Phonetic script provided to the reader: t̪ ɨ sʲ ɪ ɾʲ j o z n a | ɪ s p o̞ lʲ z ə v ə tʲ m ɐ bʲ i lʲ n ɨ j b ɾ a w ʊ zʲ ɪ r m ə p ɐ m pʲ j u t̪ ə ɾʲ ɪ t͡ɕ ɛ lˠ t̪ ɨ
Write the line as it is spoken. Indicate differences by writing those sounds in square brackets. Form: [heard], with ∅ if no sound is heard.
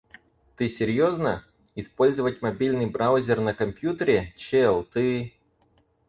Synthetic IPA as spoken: t̪ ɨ sʲ ɪ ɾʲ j o z n [ə] | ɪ s p o̞ lʲ z ə v ə tʲ m ɐ bʲ i lʲ n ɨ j b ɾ a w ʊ zʲ ɪ r [n] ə [k] ɐ m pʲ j u t̪ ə ɾʲ ɪ t͡ɕ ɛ lˠ t̪ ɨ

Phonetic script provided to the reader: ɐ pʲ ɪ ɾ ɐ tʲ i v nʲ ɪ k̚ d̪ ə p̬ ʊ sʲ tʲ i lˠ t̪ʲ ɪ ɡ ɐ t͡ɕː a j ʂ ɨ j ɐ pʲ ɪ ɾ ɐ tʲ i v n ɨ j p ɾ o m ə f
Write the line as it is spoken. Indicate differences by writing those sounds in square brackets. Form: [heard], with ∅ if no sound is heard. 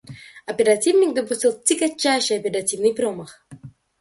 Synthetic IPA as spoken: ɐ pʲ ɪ ɾ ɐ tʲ i v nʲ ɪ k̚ d̪ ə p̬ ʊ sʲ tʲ i lˠ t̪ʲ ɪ ɡ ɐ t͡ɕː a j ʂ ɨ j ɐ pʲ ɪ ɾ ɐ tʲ i v n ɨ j p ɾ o m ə [x]

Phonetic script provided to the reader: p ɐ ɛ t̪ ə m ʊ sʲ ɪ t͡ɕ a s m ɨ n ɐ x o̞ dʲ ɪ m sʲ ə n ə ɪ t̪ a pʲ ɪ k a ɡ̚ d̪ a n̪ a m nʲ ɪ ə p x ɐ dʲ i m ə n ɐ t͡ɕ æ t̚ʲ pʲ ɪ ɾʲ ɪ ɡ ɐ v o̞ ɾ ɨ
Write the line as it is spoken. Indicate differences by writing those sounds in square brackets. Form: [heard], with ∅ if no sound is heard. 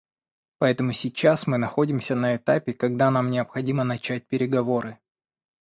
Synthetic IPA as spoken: p ɐ ɛ t̪ ə m ʊ sʲ ɪ t͡ɕ a s m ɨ n ɐ x o̞ dʲ ɪ m sʲ ə n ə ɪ t̪ a pʲ ɪ k [ɐ] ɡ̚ d̪ a n̪ a m nʲ ɪ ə p x ɐ dʲ i m ə n ɐ t͡ɕ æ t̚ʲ pʲ ɪ ɾʲ ɪ ɡ ɐ v o̞ ɾ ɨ

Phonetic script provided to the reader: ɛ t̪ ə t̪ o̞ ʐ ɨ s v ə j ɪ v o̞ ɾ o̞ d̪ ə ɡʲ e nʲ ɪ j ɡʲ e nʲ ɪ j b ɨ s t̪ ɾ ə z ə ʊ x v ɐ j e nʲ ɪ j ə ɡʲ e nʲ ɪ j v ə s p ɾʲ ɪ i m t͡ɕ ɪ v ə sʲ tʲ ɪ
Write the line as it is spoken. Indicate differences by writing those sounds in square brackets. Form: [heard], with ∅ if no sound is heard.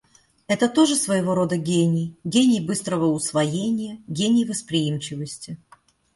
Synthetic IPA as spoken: ɛ t̪ ə t̪ o̞ ʐ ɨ s v ə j ɪ v o̞ ɾ o̞ d̪ ə ɡʲ e nʲ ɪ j ɡʲ e nʲ ɪ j b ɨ s t̪ ɾ ə [v] ə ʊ [s] v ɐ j e nʲ ɪ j ə ɡʲ e nʲ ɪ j v ə s p ɾʲ ɪ i m t͡ɕ ɪ v ə sʲ tʲ ɪ

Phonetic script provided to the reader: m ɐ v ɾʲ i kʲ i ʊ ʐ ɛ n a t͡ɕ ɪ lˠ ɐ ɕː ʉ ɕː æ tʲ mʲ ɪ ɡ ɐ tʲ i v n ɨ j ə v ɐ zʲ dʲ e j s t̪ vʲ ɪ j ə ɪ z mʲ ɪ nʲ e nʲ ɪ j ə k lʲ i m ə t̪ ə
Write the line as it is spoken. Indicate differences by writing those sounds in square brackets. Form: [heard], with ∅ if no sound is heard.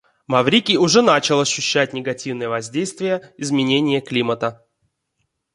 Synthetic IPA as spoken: m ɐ v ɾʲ i kʲ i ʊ ʐ ɛ n a t͡ɕ ɪ lˠ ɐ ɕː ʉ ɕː æ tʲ [nʲ] ɪ ɡ ɐ tʲ i v n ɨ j ə v ɐ zʲ dʲ e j s t̪ vʲ ɪ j ə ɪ z mʲ ɪ nʲ e nʲ ɪ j ə k lʲ i m ə t̪ ə

